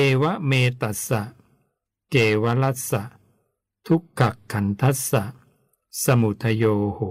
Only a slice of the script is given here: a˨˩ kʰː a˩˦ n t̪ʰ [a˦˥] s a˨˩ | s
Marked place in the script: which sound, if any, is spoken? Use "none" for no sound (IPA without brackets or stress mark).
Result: a˦˥